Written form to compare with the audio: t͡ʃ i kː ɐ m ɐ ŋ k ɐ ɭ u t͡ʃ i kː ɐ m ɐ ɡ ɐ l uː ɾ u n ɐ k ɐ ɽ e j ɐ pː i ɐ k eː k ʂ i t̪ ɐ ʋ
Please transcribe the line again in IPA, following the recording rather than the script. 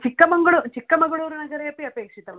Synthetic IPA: t͡ʃ i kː ɐ m ɐ ŋ ɡ ɐ ɭ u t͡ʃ i kː ɐ m ɐ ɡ ɐ ɭ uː ɾ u n ɐ ɡ ɐ ɾ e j ɐ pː i ɐ p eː k ʂ i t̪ ɐ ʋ